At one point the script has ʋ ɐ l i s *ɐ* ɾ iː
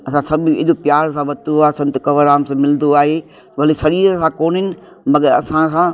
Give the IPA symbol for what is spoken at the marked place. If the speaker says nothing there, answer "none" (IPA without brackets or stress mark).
ɐ